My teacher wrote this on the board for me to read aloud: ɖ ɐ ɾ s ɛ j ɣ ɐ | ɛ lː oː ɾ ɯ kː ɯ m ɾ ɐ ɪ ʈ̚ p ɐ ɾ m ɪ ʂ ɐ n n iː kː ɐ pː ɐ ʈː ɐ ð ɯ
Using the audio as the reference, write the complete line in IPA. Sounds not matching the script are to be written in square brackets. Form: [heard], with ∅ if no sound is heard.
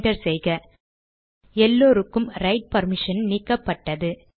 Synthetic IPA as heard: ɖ ɐ ɾ s ɛ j ɣ ɐ | ɛ lː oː ɾ ɯ kː ɯ m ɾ ɐ ɪ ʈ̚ p ɐ ɾ m ɪ ʂ ɐ n n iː kː ɐ pː ɐ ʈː ɐ ð ɯ

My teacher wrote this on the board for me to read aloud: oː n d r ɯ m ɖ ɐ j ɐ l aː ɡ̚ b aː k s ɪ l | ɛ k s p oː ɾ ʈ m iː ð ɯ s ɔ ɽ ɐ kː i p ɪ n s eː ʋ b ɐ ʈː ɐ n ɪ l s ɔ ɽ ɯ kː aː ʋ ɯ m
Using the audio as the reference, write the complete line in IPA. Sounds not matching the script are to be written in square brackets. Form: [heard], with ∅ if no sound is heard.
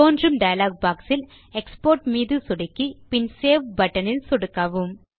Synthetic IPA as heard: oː n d r ɯ m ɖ ɐ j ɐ l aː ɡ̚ b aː k s ɪ l | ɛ k s p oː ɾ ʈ m iː ð ɯ s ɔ ɽ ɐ kː i p ɪ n s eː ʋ b ɐ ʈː ɐ n ɪ l s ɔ ɽ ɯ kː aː ʋ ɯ m

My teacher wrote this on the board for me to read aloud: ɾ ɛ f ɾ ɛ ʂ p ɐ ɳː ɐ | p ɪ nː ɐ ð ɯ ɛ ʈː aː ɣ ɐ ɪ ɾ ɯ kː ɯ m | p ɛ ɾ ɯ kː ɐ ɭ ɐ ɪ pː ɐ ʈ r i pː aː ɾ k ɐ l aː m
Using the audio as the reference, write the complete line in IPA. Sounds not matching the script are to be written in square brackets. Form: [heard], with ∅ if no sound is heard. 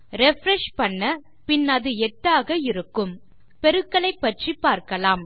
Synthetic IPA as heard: ɾ ɛ f ɾ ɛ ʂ p ɐ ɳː ɐ | p ɪ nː ɐ ð ɯ ɛ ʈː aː ɣ ɐ ɪ ɾ ɯ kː ɯ m | p ɛ ɾ ɯ kː ɐ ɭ ɐ ɪ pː ɐ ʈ r i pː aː ɾ k ɐ l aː m

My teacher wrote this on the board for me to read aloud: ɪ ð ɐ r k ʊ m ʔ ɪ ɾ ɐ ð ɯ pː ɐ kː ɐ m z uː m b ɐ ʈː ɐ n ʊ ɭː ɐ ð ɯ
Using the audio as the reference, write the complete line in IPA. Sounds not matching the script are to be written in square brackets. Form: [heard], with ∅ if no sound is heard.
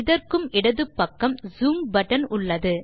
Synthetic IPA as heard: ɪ ð ɐ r k [ɯ] m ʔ ɪ [ɽ] ɐ ð ɯ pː ɐ kː ɐ m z uː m b ɐ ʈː ɐ n ʊ ɭː ɐ ð ɯ

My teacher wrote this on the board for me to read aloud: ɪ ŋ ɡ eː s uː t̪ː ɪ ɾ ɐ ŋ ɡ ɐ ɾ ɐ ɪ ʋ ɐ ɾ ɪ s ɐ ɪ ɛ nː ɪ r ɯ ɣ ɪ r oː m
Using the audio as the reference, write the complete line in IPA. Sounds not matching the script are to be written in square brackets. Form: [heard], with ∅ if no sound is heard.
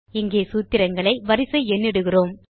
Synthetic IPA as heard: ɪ ŋ ɡ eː s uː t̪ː ɪ ɾ ɐ ŋ ɡ ɐ [ɭ] ɐ ɪ ʋ ɐ ɾ ɪ s ɐ ɪ ɛ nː ɪ [ɽ] ɯ ɣ ɪ r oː m

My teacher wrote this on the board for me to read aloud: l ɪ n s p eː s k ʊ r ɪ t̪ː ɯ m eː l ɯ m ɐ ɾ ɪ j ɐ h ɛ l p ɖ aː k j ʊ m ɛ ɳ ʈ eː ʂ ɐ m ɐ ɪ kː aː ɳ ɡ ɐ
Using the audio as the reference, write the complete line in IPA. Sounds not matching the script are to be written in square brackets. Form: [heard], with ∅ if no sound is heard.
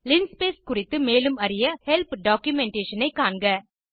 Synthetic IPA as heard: l ɪ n s p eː s k ʊ r ɪ t̪ː ɯ m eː l ɯ m ɐ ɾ ɪ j ɐ h ɛ l p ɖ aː k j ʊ m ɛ ɳ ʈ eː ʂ ɐ [n] ɐ ɪ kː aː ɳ ɡ ɐ

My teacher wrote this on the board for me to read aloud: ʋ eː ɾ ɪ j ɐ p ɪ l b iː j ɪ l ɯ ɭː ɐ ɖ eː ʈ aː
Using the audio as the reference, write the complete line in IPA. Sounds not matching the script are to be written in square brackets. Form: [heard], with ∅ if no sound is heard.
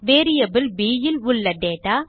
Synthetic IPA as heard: ʋ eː ɾ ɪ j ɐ [b] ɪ l b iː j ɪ l [ʊ] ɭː ɐ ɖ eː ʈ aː

